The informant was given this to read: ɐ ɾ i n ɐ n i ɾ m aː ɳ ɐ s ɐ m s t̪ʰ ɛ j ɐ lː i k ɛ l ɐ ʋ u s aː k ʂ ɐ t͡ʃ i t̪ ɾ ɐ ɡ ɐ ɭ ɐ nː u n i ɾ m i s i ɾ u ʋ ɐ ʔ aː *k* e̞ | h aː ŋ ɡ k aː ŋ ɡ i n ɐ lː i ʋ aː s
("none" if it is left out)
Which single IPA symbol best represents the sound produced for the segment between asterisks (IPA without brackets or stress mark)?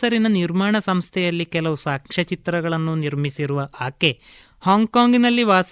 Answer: k